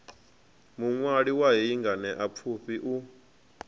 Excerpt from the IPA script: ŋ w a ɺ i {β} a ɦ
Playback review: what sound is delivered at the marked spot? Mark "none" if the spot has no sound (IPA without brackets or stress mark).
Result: w